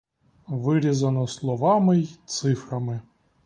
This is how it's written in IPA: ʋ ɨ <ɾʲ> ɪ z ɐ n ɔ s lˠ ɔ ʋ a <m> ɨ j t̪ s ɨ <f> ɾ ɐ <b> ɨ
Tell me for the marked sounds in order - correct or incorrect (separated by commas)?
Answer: correct, correct, correct, incorrect